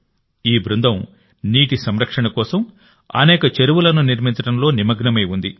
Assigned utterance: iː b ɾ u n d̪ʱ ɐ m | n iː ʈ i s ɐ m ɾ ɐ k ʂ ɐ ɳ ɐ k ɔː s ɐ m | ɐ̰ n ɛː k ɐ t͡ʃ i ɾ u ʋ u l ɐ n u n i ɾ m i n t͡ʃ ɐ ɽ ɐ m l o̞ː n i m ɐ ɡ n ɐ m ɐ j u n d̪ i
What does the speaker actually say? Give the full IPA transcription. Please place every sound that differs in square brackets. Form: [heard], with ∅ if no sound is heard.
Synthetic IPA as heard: iː b ɾ u n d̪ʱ ɐ m | n iː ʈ i s ɐ m ɾ ɐ k ʂ ɐ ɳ ɐ k ɔː s ɐ m | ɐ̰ n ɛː k ɐ t͡ʃ [e] ɾ u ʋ u l ɐ n u n i ɾ m i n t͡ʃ ɐ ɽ ɐ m l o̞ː n i m ɐ ɡ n ɐ m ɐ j u n d̪ i